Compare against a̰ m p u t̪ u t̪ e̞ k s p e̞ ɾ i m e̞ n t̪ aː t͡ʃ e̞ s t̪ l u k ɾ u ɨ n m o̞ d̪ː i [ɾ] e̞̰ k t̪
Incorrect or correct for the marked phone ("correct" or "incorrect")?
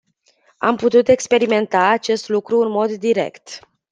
correct